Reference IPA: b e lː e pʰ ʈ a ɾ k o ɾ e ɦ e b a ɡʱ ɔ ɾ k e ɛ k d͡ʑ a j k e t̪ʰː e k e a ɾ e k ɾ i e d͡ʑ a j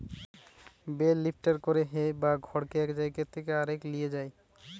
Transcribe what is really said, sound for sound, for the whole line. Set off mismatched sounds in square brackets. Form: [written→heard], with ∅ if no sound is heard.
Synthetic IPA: b e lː [e→i] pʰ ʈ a ɾ k o ɾ e ɦ e b a ɡʱ ɔ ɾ k e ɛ k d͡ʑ a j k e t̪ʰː e k e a ɾ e k [ɾ→l] i e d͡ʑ a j